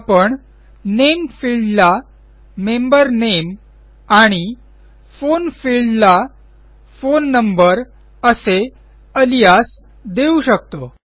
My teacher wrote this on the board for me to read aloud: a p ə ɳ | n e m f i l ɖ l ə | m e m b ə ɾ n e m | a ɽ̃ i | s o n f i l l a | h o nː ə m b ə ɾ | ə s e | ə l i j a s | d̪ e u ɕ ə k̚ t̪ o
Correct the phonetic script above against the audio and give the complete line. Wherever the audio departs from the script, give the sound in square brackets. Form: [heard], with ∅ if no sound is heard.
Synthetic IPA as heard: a p ə ɳ | n e m f i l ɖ l [a] | m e m b ə ɾ n e m | a ɽ̃ i | [f] o n f i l l a | [f] o nː ə m b ə ɾ | ə s e | ə l i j a s | d̪ e u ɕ ə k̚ t̪ o